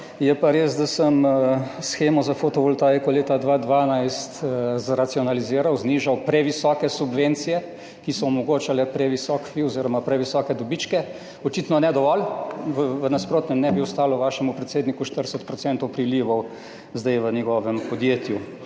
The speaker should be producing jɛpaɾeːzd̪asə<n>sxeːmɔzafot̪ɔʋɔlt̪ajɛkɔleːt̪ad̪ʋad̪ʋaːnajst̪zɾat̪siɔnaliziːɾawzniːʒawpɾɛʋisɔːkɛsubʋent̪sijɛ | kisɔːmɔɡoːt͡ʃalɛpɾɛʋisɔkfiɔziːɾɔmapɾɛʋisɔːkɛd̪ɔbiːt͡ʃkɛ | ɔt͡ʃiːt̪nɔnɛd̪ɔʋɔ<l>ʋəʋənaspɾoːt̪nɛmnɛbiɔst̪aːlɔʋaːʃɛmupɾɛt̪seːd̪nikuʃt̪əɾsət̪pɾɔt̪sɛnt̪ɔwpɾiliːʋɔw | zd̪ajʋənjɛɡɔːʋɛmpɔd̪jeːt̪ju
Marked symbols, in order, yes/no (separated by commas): no, yes